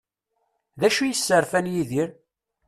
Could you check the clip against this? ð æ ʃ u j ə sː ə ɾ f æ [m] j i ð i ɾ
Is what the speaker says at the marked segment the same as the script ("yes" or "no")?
no